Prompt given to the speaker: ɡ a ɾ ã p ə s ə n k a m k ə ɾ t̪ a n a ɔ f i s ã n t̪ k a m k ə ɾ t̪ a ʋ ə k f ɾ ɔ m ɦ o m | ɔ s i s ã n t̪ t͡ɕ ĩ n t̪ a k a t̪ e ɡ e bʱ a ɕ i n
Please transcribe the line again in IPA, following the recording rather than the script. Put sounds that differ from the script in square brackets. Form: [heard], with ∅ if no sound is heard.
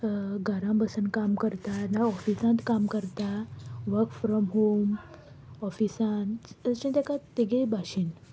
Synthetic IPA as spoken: ɡ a ɾ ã [b] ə s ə n k a m k ə ɾ t̪ a n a ɔ f i s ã n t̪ k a m k ə ɾ t̪ a ʋ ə k f ɾ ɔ m ɦ o m | ɔ [f] i s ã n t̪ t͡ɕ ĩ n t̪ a k a t̪ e ɡ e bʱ a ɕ i n